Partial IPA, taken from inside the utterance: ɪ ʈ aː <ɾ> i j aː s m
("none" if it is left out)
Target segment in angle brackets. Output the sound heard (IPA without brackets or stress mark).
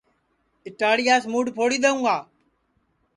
ɽ